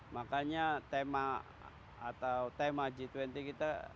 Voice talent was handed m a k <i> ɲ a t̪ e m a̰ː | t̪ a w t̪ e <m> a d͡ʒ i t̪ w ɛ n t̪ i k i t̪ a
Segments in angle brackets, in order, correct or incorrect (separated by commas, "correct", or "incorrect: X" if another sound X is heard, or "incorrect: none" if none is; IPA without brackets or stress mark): incorrect: a, correct